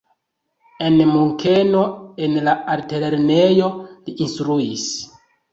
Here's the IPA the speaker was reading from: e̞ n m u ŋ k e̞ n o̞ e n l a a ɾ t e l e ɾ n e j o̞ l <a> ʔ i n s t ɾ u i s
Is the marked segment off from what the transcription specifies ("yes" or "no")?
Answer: yes